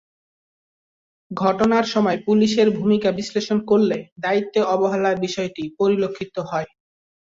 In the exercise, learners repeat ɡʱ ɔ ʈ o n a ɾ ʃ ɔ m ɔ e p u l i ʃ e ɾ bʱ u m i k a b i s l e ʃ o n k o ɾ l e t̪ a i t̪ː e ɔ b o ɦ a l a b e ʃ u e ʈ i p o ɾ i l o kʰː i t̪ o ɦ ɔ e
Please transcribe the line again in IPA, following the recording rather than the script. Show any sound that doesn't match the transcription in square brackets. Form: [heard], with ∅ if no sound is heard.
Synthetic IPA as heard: ɡʱ ɔ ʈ o n a ɾ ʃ ɔ m ɔ e p u l i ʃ e ɾ bʱ u m i k a b i s l e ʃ o n k o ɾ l e [d̪] a i t̪ː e ɔ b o ɦ a l a b [i] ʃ [ɔ] e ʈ i p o ɾ i l o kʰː i t̪ o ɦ ɔ e